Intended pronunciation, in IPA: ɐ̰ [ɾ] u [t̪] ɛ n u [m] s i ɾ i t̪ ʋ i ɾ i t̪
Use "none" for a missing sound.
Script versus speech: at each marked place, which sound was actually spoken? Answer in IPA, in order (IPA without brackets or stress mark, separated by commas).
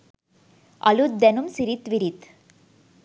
l, d̪, m